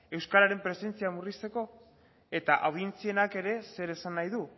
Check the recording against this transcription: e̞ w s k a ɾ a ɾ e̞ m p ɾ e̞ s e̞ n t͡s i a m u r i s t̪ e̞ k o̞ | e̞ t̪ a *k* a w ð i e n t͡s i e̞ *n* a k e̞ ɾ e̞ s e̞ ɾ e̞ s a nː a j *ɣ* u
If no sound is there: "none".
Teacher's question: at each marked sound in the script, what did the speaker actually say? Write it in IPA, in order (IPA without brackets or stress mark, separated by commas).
ʔ, n, ð